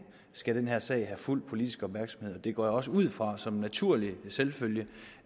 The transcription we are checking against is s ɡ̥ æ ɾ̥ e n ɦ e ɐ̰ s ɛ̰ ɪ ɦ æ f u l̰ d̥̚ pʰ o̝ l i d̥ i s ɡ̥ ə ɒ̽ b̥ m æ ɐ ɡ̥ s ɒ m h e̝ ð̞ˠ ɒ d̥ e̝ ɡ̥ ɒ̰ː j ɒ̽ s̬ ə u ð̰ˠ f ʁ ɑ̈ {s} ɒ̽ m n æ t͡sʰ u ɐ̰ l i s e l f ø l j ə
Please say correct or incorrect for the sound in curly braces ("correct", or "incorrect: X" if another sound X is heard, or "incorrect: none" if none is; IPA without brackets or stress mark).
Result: correct